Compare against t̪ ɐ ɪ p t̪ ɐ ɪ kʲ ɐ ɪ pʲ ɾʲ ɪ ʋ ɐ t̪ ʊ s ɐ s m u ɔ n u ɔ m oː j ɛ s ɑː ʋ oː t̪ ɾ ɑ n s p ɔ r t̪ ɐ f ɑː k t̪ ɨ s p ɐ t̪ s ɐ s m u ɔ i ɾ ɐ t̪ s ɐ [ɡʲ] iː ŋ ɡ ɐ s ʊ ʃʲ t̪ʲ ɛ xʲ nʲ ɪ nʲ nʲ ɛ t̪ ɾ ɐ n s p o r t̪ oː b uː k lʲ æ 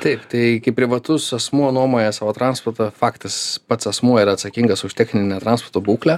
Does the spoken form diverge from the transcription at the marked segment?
yes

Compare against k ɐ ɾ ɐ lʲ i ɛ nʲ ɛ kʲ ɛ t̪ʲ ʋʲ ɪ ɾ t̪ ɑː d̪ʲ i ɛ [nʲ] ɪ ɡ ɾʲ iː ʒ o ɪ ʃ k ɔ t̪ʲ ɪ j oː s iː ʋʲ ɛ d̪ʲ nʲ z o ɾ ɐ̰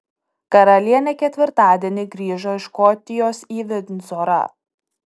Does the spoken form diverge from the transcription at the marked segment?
no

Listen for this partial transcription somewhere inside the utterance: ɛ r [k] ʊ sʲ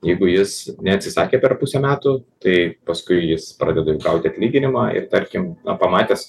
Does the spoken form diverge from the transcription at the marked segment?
yes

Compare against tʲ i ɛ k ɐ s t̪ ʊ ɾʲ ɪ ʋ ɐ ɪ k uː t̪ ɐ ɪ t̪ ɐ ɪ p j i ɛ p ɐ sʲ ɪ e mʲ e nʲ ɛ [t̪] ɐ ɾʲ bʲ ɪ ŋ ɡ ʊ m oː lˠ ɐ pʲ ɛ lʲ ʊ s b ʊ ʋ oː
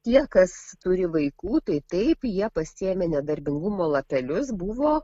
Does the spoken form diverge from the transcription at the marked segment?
yes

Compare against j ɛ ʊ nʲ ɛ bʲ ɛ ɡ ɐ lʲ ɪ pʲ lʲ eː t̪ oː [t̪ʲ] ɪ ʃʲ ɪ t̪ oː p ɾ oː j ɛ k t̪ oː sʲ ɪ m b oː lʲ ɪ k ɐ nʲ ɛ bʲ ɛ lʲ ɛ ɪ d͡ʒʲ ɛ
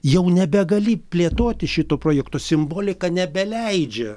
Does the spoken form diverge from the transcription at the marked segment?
no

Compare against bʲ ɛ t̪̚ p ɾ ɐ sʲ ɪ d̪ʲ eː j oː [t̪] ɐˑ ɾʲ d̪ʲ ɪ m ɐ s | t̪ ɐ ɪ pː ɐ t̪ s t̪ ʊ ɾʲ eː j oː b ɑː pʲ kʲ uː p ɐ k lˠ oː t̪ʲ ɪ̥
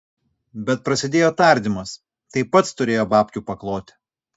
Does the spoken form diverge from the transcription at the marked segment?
no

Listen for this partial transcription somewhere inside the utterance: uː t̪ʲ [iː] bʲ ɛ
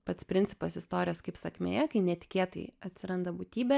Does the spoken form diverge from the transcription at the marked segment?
no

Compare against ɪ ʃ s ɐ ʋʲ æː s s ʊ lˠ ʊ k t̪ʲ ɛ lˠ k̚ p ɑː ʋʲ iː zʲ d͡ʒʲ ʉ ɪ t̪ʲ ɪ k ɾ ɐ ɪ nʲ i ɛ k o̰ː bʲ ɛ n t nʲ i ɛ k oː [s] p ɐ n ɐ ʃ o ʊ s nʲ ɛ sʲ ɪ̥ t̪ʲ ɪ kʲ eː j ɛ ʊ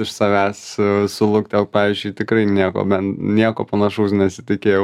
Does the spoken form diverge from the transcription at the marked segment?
yes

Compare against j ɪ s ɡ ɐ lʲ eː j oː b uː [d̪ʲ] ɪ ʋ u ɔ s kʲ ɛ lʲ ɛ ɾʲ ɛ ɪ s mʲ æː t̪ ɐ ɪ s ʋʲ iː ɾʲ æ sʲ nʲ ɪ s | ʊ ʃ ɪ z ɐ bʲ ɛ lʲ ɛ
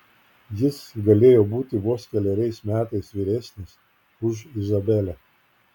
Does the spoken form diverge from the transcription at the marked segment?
yes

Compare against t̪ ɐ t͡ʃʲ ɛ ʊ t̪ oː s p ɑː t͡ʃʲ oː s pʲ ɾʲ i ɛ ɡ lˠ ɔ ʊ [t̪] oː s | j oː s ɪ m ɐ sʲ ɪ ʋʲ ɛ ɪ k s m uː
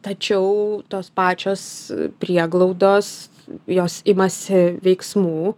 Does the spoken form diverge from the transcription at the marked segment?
yes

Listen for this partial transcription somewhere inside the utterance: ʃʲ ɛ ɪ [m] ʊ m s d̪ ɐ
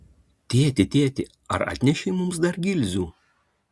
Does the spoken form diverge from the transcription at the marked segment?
no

